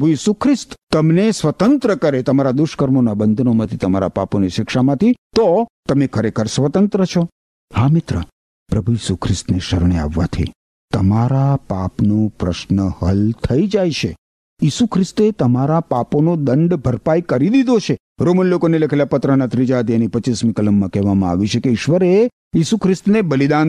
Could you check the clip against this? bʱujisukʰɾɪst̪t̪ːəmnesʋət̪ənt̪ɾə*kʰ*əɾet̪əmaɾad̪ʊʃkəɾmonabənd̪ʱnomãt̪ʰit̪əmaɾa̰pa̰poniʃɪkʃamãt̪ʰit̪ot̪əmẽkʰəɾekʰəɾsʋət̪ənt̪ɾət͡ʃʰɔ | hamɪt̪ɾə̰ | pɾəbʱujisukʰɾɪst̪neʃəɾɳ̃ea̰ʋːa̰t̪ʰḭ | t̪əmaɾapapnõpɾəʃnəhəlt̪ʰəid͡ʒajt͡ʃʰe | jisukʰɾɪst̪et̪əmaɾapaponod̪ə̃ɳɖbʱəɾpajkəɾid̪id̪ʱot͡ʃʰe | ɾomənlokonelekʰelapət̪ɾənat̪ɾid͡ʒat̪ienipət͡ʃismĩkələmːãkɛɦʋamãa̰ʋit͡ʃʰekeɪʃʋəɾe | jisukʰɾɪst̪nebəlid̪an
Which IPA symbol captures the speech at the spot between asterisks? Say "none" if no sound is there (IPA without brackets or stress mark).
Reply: k